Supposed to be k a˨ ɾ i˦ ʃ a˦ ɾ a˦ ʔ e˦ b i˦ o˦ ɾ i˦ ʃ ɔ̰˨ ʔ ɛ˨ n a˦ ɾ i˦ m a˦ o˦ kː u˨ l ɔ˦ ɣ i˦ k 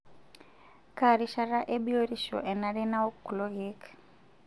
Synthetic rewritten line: k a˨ ɾ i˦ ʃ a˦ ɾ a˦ ʔ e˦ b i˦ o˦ ɾ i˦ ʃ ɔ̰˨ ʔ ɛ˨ n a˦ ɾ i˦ n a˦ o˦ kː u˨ l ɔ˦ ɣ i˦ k